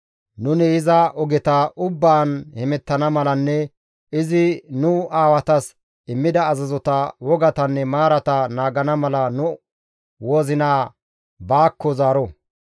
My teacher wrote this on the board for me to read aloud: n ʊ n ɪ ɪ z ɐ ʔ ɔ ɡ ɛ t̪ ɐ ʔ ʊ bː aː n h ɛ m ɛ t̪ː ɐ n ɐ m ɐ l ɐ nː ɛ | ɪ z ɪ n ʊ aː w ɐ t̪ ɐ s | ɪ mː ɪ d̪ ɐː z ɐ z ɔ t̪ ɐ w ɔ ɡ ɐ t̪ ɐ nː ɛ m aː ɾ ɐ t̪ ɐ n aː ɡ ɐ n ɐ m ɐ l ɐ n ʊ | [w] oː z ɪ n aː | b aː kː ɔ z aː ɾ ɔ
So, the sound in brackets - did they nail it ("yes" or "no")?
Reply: yes